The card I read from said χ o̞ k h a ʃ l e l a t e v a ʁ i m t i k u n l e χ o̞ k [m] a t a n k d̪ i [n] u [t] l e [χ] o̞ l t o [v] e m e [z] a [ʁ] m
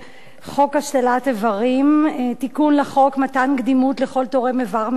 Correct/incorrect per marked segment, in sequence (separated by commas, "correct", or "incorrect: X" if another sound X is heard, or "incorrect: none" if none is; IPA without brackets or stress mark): correct, incorrect: m, correct, correct, incorrect: ʁ, incorrect: v, correct